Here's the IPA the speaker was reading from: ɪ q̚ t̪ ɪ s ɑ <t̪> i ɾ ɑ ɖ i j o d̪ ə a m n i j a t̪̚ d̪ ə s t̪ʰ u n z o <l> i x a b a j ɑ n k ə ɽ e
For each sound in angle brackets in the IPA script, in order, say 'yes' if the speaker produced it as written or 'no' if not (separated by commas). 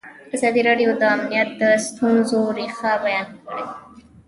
no, no